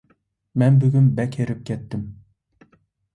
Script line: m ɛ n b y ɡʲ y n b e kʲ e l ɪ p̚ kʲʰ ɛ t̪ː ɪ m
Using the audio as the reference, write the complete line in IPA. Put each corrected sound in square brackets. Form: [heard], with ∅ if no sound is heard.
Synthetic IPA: m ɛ n b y ɡʲ y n b [ɛ] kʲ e [ɾ] ɪ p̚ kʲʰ ɛ t̪ː ɪ m